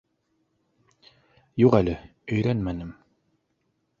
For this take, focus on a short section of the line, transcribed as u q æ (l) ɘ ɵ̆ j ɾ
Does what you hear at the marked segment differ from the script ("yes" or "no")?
no